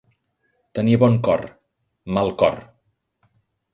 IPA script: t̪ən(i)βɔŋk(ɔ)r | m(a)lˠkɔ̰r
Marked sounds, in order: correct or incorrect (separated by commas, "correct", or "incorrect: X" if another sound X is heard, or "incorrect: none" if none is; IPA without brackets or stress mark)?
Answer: correct, correct, correct